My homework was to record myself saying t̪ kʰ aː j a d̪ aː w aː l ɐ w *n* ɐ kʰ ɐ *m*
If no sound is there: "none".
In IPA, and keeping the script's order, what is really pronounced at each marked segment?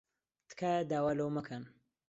m, n

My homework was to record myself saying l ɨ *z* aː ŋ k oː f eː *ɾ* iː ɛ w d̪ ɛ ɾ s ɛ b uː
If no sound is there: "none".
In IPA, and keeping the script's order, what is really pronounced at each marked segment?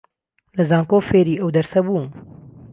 z, ɾ

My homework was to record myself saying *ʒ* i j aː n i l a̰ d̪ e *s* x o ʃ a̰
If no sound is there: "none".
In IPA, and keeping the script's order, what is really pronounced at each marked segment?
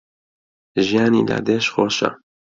ʒ, ʃ

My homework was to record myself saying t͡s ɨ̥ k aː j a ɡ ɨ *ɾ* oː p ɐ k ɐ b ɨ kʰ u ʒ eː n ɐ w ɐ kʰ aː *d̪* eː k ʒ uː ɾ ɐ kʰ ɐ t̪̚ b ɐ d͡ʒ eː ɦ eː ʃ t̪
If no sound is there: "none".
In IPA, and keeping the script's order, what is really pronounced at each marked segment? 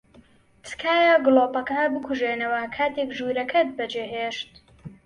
l, t̪

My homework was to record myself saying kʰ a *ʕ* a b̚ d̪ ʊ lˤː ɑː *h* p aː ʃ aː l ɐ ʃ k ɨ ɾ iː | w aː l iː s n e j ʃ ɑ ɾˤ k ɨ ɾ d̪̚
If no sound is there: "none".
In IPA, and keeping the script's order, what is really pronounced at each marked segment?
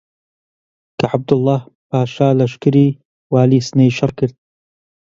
ʕ, h

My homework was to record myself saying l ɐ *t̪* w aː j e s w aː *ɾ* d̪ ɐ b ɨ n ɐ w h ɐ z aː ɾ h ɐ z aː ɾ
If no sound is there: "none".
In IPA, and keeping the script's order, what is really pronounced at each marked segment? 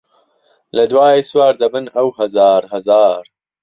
d̪, ɾ

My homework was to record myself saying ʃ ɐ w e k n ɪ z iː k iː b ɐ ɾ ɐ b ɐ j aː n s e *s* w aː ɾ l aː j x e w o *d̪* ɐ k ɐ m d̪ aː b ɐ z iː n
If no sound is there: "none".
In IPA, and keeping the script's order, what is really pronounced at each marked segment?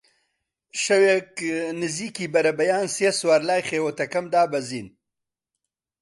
s, t̪

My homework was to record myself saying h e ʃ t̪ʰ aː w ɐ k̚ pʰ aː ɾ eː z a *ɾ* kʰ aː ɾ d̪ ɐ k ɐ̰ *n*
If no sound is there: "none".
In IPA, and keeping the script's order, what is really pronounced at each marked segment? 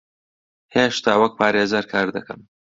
ɾ, m

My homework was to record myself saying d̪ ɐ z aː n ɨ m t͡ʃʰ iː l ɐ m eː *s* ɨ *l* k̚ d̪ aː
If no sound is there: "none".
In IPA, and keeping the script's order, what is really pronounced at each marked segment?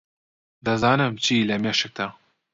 ʃ, none

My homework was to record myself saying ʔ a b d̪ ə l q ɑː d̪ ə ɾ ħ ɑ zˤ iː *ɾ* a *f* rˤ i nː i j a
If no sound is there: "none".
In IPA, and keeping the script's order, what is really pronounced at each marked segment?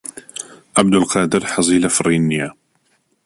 l, f

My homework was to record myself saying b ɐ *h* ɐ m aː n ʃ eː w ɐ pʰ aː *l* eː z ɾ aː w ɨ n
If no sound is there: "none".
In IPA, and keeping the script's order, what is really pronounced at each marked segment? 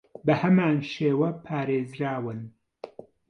h, ɾ

